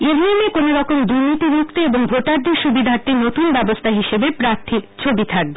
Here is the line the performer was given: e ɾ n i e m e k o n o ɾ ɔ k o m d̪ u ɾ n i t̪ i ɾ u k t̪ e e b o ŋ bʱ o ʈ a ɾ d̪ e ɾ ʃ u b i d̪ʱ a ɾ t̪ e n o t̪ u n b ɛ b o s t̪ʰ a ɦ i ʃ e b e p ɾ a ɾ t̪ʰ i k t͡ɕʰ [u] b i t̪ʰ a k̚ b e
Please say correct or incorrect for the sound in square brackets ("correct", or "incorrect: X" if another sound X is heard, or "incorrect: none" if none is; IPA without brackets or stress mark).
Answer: incorrect: o